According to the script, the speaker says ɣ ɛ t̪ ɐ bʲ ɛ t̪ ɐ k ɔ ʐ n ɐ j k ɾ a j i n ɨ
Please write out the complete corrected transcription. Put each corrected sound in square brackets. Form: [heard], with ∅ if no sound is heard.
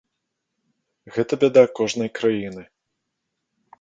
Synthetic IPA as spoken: ɣ ɛ t̪ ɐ bʲ ɛ [d̪] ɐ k ɔ ʐ n ɐ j k ɾ a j i n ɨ